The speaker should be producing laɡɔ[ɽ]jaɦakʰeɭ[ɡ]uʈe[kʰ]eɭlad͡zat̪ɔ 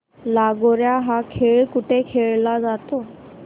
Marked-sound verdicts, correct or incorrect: incorrect, incorrect, correct

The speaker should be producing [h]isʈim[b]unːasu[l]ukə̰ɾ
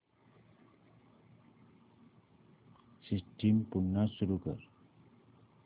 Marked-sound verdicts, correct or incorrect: incorrect, incorrect, incorrect

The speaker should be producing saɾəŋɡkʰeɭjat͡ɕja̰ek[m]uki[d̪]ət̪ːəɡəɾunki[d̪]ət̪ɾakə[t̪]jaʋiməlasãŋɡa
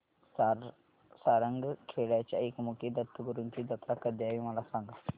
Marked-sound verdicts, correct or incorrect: correct, correct, correct, incorrect

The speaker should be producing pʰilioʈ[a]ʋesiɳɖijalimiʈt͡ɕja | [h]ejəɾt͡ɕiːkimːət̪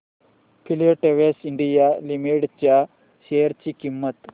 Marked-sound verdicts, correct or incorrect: incorrect, incorrect

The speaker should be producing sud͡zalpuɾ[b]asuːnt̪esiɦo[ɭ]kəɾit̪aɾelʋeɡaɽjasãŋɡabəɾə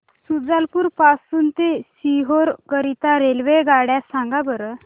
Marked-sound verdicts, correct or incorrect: incorrect, incorrect

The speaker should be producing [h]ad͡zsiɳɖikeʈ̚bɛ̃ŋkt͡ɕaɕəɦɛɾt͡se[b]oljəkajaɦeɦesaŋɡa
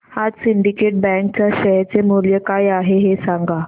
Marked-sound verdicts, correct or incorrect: correct, incorrect

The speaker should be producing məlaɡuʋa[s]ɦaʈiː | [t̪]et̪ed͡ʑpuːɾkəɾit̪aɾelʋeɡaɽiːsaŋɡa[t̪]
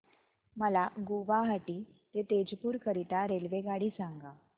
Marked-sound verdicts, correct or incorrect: incorrect, correct, incorrect

